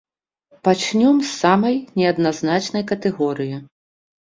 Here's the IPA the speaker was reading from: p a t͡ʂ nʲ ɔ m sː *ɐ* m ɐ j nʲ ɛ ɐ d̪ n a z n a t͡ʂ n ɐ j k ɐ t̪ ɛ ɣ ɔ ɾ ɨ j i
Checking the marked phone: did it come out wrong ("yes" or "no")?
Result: yes